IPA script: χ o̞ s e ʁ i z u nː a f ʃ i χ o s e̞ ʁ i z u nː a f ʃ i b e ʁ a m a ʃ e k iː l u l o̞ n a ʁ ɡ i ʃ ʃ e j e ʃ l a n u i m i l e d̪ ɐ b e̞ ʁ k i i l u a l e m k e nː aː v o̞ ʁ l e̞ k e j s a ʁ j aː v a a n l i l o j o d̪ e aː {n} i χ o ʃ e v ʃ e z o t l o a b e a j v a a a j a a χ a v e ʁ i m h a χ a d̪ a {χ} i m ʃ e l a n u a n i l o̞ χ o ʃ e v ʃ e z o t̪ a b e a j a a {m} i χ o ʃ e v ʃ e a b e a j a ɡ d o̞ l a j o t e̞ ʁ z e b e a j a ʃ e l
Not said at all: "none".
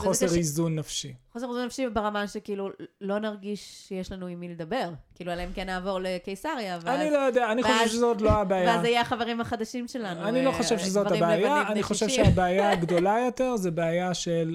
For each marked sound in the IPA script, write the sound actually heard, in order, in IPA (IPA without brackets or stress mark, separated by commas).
n, ʃ, n